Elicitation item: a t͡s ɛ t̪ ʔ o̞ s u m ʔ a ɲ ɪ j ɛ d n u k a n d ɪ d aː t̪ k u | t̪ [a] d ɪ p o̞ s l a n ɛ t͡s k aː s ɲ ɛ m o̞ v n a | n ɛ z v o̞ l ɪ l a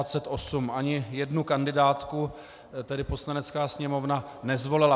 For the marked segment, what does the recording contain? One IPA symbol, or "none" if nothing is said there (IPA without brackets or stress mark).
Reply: ɛ